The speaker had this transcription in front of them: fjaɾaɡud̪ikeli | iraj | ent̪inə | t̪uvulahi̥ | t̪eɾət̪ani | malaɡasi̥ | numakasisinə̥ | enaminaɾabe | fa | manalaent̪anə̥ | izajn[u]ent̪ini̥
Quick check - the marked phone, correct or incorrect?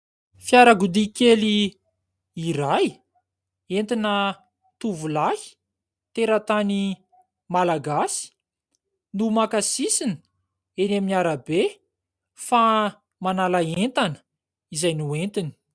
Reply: correct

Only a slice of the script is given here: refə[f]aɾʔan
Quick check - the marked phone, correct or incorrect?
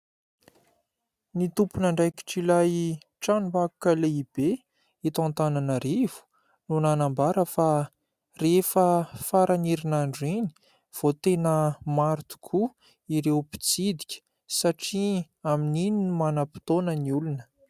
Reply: correct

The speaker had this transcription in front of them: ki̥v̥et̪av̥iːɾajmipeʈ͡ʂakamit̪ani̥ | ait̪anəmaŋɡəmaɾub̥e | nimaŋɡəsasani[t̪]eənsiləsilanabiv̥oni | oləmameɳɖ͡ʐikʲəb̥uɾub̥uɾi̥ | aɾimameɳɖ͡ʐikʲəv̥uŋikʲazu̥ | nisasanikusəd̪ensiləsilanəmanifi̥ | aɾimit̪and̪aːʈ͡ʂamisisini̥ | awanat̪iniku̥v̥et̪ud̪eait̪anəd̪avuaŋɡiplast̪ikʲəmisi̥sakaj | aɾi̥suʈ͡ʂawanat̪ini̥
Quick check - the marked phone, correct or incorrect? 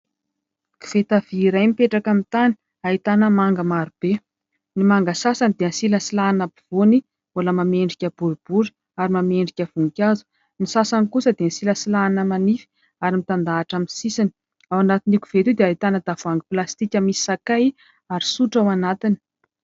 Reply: incorrect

